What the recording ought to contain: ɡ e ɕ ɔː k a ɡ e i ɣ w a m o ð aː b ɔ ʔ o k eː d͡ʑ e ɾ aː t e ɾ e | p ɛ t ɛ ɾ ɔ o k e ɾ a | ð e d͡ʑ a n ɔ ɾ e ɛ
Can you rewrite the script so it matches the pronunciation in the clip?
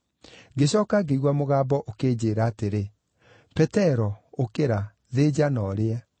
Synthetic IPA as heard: ɡ e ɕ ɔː k a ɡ e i ɣ w a m o ɣ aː b ɔ ʔ o k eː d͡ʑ e ɾ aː t e ɾ e | p ɛ t ɛ ɾ ɔ o k e ɾ a | ð e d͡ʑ a n ɔ ɾ e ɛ

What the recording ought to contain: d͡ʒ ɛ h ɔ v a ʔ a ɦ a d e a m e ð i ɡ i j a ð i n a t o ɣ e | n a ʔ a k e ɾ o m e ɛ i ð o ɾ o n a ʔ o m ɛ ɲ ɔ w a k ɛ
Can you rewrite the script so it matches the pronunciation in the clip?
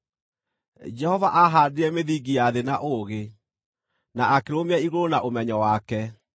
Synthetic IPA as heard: d͡ʒ ɛ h ɔ v a ʔ a ɦ a d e ɛ m e ð i ɡ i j a ð e n a ʔ o ɣ e | n a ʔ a k e ɾ o m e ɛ i ɣ o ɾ o n a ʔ o m ɛ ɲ ɔ w a k ɛ

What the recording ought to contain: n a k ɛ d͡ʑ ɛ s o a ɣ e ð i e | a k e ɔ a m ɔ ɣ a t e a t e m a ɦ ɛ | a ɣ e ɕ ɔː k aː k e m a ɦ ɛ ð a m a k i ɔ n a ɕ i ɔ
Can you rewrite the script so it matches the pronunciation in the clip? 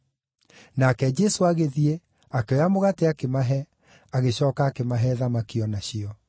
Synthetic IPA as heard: n a k ɛ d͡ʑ ɛ s o a ɣ e ð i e | a k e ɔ a m o ɣ a t e a k e m a ɦ ɛ | a ɣ e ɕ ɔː k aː k e m a ɦ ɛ ð a m a k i ɔ n a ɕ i ɔ

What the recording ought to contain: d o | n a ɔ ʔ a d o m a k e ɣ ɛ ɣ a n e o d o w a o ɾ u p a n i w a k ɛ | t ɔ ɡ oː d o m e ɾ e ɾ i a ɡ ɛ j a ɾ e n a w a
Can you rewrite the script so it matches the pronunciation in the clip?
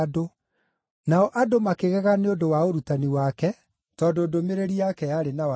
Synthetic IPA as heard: d o | n a ɔ ʔ a d o m a k e ɣ ɛ ɣ a n e o d o w a o ɾ u t a n i w a k ɛ | t ɔ d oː d o m e ɾ e ɾ i a k ɛ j a ɾ e n a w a

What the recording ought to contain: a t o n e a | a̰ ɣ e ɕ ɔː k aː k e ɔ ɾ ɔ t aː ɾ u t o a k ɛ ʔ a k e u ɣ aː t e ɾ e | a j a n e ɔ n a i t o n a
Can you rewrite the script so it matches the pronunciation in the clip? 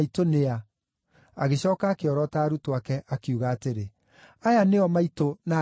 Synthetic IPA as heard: i t o n e a | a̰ ɣ e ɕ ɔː k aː k e ɔ ɾ ɔ t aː ɾ u t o a k ɛ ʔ a k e u ɣ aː t e ɾ e | a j a n e ɔ m a i t o n a

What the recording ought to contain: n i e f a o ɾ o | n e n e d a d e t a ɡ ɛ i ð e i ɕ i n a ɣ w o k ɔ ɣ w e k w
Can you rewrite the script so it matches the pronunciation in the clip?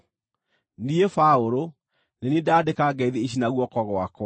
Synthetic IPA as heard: n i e f a o ɾ o | n e n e d a d e k a ɡ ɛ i ð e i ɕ i n a ɣ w ɔ k ɔ ɣ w a k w

